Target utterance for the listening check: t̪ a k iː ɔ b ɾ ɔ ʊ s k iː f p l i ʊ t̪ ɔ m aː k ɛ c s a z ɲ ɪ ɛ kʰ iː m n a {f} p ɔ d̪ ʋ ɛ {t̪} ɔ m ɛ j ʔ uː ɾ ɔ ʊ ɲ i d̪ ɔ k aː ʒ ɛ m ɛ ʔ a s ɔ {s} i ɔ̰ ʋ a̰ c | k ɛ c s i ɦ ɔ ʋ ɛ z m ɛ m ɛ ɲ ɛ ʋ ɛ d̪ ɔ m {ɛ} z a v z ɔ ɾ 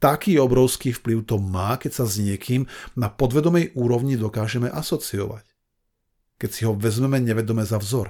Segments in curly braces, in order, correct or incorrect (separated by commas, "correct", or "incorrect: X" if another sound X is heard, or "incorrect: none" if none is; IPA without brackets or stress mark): incorrect: none, incorrect: d̪, incorrect: t͡s, correct